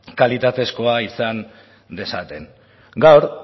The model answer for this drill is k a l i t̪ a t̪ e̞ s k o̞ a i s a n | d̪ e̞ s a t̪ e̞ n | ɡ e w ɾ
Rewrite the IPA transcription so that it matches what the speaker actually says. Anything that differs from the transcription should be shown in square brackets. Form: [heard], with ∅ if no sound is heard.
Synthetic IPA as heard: k a l i t̪ a t̪ e̞ s k o̞ a i s a n | d̪ e̞ s a t̪ e̞ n | ɡ [a] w ɾ

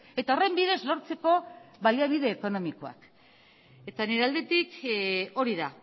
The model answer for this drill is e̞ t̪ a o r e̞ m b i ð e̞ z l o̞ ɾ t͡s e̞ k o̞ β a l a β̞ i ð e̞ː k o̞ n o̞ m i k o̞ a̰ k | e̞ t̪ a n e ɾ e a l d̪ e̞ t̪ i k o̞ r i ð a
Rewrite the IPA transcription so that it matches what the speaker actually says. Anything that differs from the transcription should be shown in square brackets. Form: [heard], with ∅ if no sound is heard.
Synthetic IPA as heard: e̞ t̪ a o r e̞ m b i ð e̞ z l o̞ ɾ t͡s e̞ k o̞ β a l a β̞ i ð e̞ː k o̞ n o̞ m i k o̞ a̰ k | e̞ t̪ a n e ɾ e a l d̪ e̞ t̪ i k o̞ [ɾ] i ð a

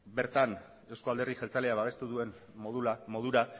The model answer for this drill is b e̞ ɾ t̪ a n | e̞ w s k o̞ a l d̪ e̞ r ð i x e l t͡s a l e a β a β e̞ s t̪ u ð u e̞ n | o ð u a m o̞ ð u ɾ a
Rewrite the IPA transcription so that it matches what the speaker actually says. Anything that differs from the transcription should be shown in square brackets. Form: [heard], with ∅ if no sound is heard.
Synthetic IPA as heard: b e̞ ɾ t̪ a n | e̞ w s k o̞ a l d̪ e̞ r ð i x e l t͡s a l e a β a β e̞ s t̪ u ð u e̞ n | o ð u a m o̞ ð u ɾ a

